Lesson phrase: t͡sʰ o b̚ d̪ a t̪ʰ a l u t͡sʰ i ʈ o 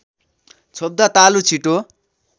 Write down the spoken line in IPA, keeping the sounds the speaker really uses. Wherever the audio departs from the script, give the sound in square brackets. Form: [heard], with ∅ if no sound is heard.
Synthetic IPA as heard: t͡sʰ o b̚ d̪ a [t̪] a l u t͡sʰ i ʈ o